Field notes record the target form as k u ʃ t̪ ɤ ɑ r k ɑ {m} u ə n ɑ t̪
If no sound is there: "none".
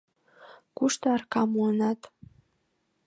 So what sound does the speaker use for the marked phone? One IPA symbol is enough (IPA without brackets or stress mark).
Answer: m